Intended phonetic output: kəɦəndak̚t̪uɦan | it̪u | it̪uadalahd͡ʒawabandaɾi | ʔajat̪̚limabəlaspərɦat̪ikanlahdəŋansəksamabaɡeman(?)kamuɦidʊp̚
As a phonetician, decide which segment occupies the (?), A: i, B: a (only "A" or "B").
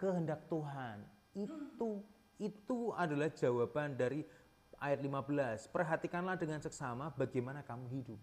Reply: B